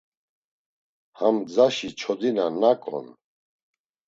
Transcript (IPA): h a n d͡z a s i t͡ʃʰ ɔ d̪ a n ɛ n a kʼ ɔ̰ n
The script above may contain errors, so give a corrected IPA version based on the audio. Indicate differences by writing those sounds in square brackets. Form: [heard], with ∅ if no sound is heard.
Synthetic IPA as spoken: h a [m] d͡z a [ʃ] i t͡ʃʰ ɔ d̪ [i] n [a] n a kʼ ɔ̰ n